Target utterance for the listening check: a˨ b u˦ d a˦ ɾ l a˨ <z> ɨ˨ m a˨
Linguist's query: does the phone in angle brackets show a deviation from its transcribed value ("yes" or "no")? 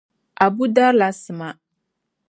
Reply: yes